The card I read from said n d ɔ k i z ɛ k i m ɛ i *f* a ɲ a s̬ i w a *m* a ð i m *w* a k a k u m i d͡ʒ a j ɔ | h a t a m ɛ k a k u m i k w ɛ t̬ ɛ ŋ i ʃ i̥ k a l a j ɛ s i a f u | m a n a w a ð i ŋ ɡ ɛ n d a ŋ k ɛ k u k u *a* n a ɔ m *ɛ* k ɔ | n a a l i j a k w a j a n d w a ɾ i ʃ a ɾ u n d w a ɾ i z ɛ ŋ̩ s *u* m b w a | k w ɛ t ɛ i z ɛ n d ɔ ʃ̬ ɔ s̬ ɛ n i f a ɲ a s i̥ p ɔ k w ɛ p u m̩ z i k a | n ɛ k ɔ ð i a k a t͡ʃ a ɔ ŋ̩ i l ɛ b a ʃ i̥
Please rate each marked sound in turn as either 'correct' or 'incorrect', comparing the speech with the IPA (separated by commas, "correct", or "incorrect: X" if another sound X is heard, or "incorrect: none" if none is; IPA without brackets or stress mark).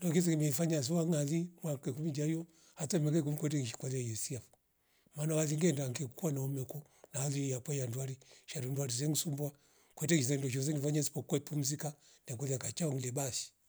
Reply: correct, incorrect: ŋ, correct, correct, correct, correct